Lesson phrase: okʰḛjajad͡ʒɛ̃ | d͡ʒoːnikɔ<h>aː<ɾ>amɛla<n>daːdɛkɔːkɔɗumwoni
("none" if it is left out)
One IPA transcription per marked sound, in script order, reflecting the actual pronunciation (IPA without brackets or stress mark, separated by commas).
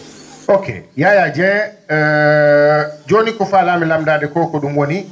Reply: f, l, m